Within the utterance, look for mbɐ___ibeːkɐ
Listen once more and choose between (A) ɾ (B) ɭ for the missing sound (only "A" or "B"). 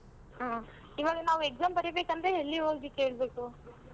A